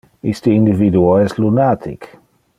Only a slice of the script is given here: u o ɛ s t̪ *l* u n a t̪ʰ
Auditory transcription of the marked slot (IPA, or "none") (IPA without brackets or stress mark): l